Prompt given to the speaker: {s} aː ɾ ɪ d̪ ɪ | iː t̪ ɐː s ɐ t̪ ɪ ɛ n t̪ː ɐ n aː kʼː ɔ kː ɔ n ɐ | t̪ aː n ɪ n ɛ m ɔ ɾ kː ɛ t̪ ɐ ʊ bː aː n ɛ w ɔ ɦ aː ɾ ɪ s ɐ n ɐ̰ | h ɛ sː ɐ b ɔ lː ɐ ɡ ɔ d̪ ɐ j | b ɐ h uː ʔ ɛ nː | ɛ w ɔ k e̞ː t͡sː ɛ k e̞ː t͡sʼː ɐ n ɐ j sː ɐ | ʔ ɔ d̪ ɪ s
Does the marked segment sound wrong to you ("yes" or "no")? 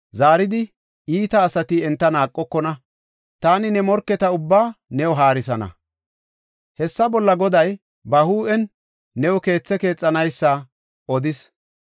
yes